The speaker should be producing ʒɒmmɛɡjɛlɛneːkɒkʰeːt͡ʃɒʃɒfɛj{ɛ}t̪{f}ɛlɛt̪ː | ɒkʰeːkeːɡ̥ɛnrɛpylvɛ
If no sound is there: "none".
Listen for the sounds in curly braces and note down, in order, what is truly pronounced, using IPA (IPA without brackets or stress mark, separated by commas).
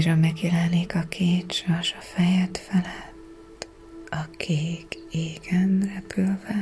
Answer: ɛ, f